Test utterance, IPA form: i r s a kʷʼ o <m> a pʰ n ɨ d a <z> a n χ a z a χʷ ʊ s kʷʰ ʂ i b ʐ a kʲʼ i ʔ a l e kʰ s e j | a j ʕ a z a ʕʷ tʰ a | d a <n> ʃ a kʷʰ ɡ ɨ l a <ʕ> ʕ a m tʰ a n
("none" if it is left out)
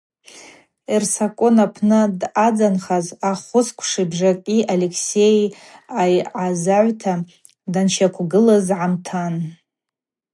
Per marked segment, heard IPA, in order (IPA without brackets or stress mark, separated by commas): n, d͡z, n, z